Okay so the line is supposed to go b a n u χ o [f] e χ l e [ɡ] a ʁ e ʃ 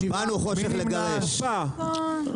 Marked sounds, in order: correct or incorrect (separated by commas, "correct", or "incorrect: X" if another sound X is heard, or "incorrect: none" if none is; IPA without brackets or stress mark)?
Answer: incorrect: ʃ, correct